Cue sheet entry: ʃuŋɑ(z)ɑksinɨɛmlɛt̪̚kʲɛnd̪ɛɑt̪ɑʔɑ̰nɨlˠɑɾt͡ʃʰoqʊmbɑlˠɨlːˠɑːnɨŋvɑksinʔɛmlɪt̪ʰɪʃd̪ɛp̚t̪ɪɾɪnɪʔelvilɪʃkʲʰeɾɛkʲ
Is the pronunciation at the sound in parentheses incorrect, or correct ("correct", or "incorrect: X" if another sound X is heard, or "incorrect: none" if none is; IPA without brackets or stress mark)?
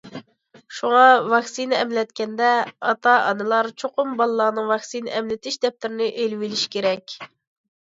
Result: incorrect: v